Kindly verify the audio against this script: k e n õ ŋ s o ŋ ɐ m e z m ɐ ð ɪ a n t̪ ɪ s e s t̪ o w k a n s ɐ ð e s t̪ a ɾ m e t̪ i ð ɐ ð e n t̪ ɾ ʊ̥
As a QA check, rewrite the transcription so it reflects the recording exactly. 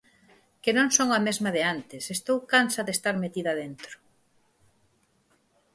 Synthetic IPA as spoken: k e n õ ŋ s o ŋ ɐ m e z m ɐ ð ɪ a n t̪ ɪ s e s t̪ o w k a n s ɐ ð e s t̪ a ɾ m e t̪ i ð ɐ ð e n t̪ ɾ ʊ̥